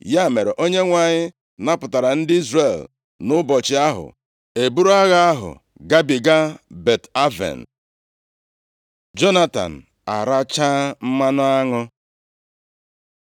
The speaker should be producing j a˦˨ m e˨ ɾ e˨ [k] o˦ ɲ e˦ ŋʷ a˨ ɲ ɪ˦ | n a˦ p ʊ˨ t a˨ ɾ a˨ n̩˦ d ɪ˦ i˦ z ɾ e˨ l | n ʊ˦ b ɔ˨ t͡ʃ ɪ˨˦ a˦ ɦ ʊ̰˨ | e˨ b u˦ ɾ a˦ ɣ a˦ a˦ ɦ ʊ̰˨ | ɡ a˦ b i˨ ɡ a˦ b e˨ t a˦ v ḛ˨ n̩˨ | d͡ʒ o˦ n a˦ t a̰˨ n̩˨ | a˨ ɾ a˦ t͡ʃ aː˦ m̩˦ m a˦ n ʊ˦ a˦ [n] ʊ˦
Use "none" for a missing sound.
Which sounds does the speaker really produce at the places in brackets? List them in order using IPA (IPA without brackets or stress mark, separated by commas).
ʔ, ŋ